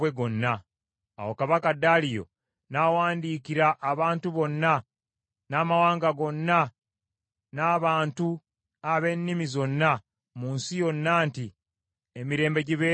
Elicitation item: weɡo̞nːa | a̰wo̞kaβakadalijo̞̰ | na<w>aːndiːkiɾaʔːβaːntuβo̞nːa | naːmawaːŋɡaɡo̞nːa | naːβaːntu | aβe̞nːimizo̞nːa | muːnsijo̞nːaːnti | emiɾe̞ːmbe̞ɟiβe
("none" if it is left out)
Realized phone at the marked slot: w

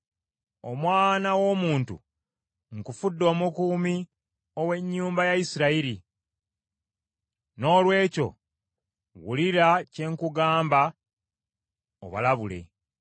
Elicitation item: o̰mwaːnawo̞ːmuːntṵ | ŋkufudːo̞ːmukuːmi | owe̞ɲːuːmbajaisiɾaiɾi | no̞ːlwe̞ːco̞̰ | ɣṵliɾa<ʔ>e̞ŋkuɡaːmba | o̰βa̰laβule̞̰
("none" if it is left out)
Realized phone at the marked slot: c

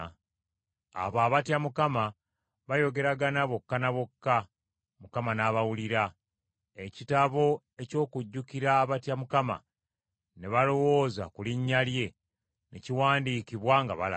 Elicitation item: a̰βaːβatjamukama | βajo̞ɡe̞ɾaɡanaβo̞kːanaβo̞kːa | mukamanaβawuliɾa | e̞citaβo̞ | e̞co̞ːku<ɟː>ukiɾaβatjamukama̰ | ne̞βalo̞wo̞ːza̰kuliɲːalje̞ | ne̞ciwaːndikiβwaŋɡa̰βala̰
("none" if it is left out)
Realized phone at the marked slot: ɟː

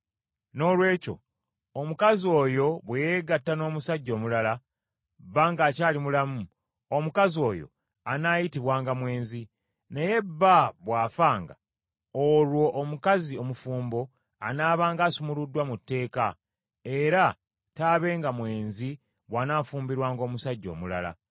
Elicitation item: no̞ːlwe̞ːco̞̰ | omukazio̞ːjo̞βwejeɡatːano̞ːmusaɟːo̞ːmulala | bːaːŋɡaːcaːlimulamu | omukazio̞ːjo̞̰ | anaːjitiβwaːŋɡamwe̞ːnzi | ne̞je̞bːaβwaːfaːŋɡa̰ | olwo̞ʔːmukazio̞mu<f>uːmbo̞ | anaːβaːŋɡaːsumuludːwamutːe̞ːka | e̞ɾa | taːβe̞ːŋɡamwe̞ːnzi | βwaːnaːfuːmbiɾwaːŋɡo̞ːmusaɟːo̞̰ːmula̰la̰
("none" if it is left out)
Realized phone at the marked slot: f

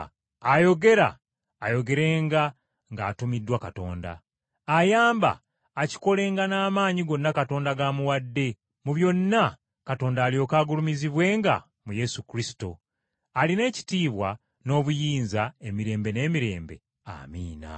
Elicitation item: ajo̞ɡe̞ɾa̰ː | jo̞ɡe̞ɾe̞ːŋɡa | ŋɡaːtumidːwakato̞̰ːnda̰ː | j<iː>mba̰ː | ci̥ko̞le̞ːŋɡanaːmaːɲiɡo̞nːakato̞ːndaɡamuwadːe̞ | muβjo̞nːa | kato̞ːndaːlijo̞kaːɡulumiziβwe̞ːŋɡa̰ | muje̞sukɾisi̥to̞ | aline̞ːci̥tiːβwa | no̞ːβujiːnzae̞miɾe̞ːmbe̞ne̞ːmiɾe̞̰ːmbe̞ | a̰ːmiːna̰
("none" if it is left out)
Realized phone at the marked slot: aː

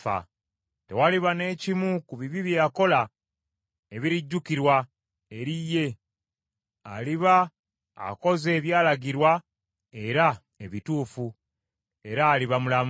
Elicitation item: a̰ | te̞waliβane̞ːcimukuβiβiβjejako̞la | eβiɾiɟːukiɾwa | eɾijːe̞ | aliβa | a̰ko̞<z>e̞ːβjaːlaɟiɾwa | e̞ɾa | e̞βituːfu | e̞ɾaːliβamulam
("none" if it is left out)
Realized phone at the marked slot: z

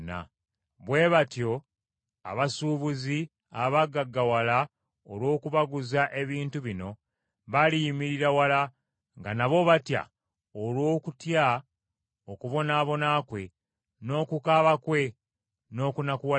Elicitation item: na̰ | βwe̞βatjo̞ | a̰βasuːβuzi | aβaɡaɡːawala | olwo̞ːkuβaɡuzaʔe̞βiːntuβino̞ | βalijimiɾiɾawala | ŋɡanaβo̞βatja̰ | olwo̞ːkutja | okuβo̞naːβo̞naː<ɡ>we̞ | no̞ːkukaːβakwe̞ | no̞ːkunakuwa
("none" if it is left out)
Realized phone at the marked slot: k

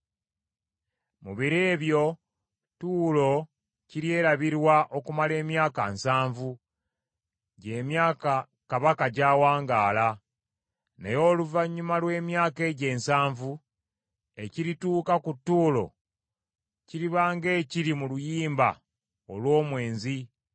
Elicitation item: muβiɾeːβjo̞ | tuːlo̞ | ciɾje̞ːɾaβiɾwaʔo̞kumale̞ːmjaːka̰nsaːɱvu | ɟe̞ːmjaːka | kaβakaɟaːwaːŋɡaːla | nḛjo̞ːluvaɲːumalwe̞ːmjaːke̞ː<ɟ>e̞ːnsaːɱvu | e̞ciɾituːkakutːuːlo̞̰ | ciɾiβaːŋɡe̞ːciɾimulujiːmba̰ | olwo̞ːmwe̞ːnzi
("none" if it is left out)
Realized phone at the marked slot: ɟ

